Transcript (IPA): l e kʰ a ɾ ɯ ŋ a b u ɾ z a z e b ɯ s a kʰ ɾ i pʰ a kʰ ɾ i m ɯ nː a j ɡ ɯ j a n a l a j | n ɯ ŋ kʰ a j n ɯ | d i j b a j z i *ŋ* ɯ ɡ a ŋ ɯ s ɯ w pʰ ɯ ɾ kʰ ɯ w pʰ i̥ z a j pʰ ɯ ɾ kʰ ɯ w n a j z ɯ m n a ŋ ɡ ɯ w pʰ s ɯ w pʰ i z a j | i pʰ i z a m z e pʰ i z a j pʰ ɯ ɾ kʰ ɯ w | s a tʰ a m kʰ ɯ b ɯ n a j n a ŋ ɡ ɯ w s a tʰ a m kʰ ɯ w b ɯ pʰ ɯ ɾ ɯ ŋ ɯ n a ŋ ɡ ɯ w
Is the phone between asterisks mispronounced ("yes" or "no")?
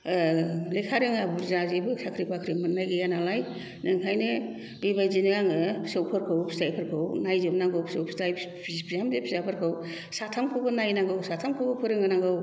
yes